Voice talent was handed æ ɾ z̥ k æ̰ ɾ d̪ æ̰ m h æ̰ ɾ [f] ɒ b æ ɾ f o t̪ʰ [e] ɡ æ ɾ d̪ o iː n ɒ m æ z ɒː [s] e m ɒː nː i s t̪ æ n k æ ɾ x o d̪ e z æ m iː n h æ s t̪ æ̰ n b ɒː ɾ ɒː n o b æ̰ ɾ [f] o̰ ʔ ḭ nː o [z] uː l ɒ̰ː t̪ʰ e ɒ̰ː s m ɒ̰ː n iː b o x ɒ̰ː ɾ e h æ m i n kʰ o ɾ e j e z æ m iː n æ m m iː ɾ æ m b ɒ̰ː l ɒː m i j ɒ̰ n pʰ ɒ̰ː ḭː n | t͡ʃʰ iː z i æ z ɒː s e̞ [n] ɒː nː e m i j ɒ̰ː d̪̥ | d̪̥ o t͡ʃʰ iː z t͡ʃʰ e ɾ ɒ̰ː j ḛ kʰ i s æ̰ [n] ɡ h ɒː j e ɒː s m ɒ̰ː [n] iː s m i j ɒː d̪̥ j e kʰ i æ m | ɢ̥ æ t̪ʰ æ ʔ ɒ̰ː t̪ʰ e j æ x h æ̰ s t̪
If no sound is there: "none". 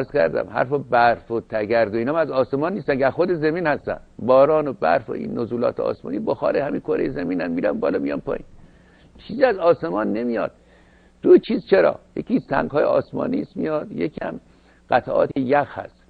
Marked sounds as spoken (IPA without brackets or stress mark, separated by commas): f, æ, s, f, z, m, ŋ, n